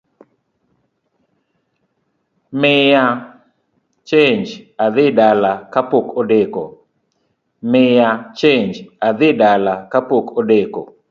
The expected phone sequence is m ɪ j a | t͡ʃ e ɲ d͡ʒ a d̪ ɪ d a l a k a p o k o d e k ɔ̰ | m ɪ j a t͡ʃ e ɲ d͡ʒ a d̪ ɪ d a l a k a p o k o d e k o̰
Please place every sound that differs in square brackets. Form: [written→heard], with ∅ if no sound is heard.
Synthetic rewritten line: m ɪ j a | t͡ʃ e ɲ d͡ʒ a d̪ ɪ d a l a k a p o k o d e k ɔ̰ | m ɪ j a t͡ʃ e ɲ d͡ʒ a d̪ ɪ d a l a k a p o k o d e k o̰

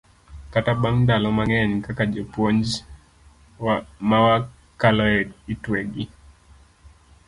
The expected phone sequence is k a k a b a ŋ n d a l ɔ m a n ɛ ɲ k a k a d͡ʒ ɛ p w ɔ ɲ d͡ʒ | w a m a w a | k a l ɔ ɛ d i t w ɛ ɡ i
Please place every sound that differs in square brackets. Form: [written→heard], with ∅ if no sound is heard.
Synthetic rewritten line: k a [k→t] a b a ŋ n d a l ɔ m a [n→ŋ] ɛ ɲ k a k a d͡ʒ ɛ p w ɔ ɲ d͡ʒ | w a m a w a | k a l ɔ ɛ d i t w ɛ ɡ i

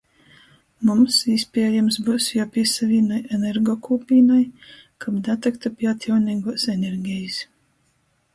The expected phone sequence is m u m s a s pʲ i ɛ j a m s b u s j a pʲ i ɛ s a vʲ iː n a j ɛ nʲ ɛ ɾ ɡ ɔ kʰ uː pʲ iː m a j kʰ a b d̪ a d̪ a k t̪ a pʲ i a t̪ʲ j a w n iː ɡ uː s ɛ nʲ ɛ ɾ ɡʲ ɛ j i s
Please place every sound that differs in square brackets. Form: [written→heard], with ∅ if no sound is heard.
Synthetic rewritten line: m u m s [a→i] s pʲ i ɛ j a m s b u s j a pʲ i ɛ s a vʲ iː n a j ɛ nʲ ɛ ɾ ɡ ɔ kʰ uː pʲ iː [m→n] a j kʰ a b d̪ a [d̪→t̪] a k t̪ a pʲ i a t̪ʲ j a w n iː ɡ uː s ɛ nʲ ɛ ɾ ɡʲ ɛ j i s

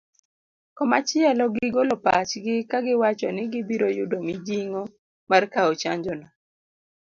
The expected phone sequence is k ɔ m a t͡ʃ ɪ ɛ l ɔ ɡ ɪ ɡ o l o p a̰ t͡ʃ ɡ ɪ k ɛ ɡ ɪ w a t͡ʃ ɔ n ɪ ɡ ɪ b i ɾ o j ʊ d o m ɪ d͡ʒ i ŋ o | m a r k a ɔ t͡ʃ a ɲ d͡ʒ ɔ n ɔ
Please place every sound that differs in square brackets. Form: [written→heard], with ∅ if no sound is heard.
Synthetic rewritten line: k ɔ m a t͡ʃ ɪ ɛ l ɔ ɡ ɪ ɡ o l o p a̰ t͡ʃ ɡ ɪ k [ɛ→a] ɡ ɪ w a t͡ʃ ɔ n ɪ ɡ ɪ b i ɾ o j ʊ d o m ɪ d͡ʒ i ŋ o | m a r k a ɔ t͡ʃ a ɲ d͡ʒ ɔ n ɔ

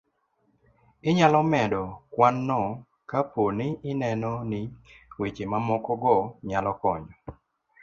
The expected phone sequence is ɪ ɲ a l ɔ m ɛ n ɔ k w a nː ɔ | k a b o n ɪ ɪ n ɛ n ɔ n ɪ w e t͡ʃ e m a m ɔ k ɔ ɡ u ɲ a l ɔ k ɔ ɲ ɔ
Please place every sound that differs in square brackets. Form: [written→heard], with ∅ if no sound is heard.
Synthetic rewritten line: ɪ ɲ a l ɔ m ɛ [n→d] ɔ k w a nː ɔ | k a [b→p] o n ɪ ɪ n ɛ n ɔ n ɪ w e t͡ʃ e m a m ɔ k ɔ ɡ [u→ɔ] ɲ a l ɔ k ɔ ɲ ɔ

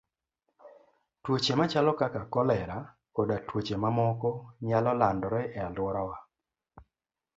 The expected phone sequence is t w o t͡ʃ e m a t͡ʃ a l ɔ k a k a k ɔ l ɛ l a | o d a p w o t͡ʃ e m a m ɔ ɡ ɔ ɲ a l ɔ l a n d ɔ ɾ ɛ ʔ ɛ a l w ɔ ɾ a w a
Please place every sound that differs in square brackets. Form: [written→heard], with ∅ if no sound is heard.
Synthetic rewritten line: t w o t͡ʃ e m a t͡ʃ a l ɔ k a k a k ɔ l ɛ [l→ɾ] a | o d a [p→t] w o t͡ʃ e m a m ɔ [ɡ→k] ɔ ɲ a l ɔ l a n d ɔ ɾ ɛ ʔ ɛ a l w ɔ ɾ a w a

